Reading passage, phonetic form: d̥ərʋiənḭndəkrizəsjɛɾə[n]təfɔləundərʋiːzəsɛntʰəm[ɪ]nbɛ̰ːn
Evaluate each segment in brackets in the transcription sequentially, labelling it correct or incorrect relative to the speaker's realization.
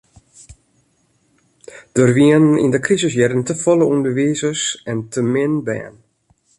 correct, correct

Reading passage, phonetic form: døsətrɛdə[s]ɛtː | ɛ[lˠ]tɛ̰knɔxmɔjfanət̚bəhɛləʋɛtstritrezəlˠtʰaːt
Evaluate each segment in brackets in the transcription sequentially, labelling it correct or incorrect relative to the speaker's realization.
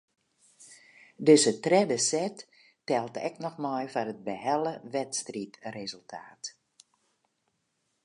correct, correct

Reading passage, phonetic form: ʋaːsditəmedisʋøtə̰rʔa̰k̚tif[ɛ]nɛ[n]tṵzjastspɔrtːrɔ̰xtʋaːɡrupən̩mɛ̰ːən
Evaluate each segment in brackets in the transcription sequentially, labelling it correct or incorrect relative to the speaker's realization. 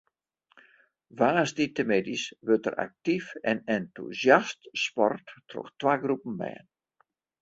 correct, correct

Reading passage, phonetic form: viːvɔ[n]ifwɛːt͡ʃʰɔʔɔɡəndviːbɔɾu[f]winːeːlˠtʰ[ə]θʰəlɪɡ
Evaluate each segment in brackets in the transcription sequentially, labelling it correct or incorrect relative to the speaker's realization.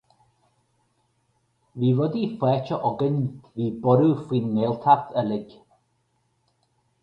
incorrect: d, correct, incorrect: a

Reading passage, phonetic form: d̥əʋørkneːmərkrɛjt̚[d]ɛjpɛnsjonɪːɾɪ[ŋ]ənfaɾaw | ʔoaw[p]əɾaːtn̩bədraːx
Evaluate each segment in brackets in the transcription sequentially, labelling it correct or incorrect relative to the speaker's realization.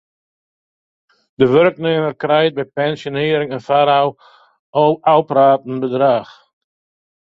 incorrect: b, correct, correct

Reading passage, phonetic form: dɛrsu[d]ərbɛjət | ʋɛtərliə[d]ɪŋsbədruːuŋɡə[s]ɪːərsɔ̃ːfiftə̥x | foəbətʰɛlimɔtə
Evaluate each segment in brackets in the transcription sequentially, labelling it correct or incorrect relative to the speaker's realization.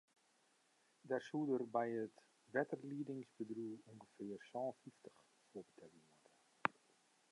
correct, correct, incorrect: f

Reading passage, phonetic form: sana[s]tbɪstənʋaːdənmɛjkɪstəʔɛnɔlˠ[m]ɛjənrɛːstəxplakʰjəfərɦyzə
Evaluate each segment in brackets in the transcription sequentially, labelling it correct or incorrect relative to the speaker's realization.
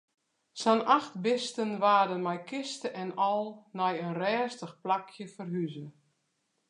incorrect: x, incorrect: n

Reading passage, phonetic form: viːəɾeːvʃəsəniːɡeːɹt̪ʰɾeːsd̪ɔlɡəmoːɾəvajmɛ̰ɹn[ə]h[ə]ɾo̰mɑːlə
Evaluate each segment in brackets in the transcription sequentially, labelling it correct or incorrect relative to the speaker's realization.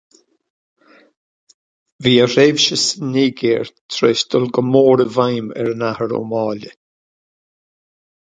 incorrect: a, correct

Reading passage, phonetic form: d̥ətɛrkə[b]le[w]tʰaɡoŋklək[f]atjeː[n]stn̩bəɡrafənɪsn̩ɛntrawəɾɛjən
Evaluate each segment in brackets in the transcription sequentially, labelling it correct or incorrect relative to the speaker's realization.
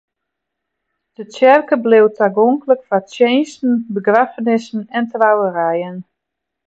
correct, correct, correct, correct

